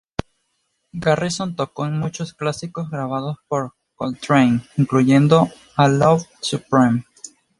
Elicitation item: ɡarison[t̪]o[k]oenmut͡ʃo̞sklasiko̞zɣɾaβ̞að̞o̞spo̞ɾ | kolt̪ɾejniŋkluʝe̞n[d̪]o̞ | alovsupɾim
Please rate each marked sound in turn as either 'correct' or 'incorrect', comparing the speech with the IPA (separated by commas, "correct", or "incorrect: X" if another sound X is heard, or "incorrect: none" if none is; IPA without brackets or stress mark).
correct, correct, correct